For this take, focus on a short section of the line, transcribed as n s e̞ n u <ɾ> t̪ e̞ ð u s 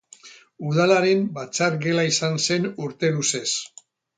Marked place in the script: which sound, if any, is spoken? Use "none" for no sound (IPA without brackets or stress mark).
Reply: ɾ